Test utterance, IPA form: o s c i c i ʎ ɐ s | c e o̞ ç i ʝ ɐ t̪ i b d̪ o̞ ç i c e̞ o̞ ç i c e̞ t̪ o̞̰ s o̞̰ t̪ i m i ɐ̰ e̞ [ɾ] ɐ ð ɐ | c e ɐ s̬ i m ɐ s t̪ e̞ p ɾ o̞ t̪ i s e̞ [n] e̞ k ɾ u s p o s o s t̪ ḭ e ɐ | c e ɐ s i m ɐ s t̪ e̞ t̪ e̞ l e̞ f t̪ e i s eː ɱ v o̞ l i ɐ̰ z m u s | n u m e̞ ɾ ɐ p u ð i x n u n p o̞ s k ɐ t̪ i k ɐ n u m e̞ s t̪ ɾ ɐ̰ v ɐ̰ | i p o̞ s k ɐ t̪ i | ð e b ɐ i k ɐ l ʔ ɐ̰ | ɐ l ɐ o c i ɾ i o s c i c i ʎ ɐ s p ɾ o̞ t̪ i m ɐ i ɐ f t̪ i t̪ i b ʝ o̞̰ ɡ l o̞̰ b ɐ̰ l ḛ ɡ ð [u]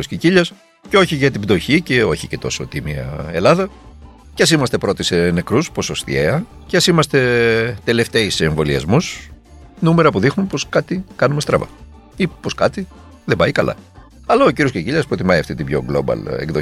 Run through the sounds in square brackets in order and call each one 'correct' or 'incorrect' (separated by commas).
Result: incorrect, correct, incorrect